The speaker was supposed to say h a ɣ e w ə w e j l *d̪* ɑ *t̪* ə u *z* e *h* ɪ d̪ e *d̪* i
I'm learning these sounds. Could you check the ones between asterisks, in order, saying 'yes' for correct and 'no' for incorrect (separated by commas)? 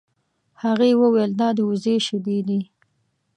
yes, no, yes, no, yes